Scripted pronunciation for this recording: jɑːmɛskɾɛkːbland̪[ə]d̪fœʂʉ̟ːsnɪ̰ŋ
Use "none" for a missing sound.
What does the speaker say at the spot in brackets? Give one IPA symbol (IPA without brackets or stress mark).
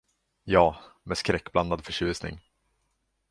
a